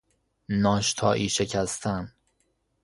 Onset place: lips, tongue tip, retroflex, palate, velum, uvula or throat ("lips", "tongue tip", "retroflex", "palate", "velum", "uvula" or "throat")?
tongue tip